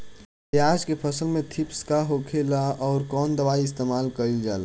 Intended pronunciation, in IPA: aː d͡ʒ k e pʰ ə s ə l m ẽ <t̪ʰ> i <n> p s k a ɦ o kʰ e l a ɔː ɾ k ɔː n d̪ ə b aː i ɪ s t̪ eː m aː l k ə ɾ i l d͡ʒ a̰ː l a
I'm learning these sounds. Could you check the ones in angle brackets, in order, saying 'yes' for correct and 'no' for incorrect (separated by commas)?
yes, no